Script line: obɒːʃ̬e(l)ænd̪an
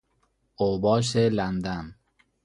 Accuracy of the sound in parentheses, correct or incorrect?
correct